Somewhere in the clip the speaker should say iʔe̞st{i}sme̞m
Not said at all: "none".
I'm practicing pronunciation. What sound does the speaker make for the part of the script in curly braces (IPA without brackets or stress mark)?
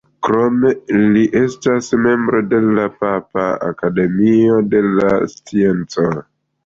a